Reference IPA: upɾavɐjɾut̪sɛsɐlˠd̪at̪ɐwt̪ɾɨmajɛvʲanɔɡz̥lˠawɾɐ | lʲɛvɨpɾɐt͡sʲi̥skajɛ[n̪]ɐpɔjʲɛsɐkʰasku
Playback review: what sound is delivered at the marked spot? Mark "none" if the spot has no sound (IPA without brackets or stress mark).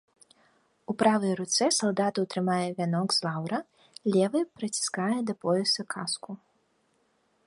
d̪